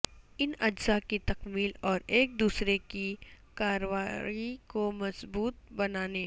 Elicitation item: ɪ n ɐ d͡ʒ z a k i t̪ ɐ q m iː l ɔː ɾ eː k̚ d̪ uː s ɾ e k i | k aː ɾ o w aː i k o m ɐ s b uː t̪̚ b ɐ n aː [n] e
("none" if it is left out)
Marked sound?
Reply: n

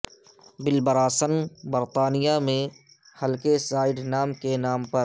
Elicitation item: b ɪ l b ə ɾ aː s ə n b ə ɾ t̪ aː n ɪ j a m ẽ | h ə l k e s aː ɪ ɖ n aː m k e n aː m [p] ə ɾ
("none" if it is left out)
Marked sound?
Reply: p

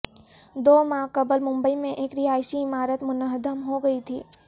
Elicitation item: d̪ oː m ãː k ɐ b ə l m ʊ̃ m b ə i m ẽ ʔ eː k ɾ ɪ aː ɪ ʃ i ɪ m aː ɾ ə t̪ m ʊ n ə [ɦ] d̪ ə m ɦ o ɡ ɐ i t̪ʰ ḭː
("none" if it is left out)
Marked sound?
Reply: ɦ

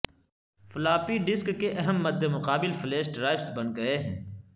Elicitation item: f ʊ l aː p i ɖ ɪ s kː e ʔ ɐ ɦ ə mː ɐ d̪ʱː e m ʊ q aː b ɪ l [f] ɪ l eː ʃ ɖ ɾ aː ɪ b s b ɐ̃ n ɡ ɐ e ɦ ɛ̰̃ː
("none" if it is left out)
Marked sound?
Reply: f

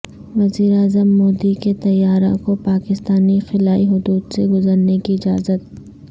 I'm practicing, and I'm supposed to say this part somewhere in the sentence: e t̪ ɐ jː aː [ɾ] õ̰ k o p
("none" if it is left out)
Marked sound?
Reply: ɾ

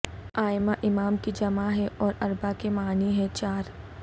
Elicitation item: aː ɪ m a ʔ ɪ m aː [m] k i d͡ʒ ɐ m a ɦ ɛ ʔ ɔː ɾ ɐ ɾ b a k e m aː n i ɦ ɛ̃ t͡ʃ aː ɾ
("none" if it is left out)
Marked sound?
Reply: m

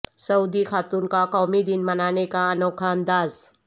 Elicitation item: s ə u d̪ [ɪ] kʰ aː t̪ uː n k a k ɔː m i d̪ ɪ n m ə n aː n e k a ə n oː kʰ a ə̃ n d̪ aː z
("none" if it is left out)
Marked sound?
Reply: i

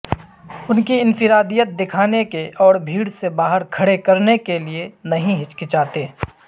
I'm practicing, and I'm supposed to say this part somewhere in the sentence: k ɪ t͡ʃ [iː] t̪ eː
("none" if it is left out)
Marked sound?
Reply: aː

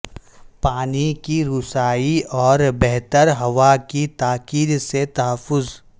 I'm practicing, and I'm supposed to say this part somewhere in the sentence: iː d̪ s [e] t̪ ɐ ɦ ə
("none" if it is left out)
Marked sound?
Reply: e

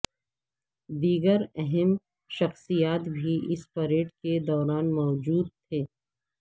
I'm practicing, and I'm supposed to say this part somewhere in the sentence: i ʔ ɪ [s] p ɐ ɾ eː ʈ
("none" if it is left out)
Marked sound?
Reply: s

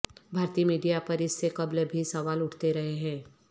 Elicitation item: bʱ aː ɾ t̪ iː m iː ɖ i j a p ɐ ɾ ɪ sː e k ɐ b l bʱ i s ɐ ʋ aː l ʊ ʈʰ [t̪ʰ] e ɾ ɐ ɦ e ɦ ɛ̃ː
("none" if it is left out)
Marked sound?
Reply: t̪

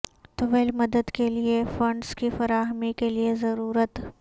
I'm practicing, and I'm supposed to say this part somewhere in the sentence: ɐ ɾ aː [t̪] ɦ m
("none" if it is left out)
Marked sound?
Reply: none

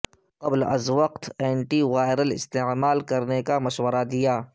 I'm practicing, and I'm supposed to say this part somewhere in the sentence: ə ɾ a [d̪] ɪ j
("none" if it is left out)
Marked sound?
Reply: d̪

